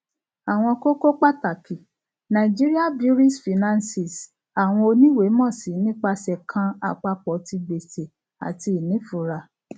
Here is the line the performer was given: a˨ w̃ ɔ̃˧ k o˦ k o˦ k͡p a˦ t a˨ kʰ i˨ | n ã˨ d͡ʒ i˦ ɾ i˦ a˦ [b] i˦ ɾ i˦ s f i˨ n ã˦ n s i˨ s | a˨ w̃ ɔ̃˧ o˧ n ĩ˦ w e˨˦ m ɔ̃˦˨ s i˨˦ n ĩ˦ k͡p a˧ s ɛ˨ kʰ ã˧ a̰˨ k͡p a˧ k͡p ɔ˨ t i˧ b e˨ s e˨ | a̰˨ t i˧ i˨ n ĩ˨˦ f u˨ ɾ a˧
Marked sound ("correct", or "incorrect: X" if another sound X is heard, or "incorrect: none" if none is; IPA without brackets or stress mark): correct